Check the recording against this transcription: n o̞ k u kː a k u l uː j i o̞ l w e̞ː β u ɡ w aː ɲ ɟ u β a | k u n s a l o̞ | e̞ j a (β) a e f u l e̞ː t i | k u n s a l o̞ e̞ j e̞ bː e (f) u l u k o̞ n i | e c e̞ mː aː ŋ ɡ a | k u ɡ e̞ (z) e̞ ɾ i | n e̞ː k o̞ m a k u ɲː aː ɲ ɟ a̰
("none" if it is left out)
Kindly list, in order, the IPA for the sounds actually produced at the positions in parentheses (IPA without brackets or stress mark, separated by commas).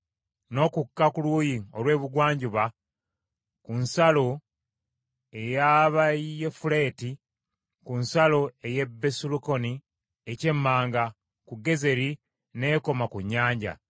β, s, z